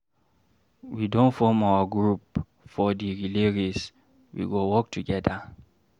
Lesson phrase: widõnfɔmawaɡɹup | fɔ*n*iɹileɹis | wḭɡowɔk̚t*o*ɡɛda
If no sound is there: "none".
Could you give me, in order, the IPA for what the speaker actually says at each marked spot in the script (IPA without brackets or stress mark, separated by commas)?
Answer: d, u